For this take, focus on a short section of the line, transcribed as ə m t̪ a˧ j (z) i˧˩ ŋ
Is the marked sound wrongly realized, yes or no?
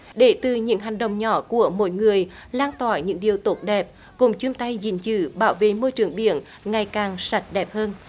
no